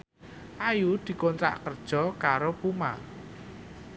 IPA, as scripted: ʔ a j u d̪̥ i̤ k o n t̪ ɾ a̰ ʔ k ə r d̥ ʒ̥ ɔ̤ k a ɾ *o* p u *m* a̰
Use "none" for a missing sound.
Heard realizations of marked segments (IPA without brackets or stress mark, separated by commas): o, m